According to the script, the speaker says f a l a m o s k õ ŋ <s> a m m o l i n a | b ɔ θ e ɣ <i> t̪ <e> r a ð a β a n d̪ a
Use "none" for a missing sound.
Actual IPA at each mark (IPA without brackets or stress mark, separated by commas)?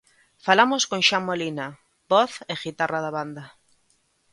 ʃ, i, a